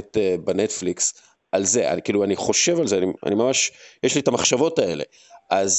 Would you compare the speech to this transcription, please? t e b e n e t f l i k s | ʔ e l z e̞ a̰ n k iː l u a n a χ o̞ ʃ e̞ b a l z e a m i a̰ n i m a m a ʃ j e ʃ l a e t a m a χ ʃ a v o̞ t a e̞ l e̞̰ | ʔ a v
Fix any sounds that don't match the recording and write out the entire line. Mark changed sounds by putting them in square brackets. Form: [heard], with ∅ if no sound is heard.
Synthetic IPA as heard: t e b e n e t f l i k s | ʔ [a] l z e̞ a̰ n k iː l u a n [i] χ o̞ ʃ e̞ [v] a l z e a [n] i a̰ n i m a m a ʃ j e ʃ l [i] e t a m a χ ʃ a v o̞ t a e̞ l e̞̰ | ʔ a [z]